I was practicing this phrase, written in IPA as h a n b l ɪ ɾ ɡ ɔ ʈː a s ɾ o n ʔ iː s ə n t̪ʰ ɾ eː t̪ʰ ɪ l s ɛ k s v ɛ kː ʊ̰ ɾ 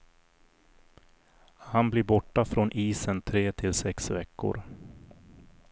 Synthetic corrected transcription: h a n b l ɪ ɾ b ɔ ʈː a f ɾ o n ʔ iː s ə n t̪ʰ ɾ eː t̪ʰ ɪ l s ɛ k s v ɛ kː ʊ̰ ɾ